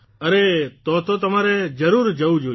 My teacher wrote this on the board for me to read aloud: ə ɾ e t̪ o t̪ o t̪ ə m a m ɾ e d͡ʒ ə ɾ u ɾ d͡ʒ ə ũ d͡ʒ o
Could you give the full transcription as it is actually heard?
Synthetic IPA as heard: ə ɾ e t̪ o t̪ o t̪ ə m a ɾ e d͡ʒ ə ɾ u ɾ d͡ʒ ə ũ d͡ʒ o